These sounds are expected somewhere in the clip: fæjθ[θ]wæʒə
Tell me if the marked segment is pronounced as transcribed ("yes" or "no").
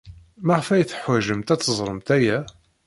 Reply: no